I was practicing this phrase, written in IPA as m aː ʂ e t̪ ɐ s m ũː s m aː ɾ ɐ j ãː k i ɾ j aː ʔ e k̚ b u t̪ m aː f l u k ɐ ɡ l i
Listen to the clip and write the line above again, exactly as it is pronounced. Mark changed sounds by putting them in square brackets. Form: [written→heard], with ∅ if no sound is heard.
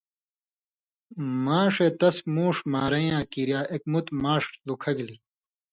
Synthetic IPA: m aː ʂ e t̪ ɐ s m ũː [s→ʂ] m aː ɾ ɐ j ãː k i ɾ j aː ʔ e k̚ [b→m] u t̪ m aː [f→ʂ] l u [k→kʰ] ɐ ɡ l i